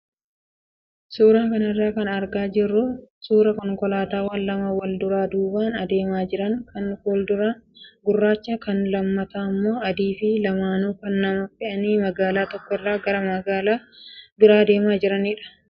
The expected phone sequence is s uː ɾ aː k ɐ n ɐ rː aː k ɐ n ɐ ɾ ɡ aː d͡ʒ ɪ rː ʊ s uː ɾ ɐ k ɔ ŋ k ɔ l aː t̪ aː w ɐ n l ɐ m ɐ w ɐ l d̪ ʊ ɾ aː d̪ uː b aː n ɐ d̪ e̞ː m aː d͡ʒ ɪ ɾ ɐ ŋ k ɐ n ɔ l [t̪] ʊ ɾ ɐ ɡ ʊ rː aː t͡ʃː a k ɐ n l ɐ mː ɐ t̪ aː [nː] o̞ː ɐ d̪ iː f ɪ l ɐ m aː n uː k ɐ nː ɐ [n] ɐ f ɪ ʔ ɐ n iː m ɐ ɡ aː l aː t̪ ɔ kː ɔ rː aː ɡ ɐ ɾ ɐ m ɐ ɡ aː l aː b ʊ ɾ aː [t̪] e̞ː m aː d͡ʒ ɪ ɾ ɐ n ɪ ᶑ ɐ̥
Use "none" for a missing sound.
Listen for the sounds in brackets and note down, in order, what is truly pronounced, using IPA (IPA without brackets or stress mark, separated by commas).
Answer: d̪, mː, m, d̪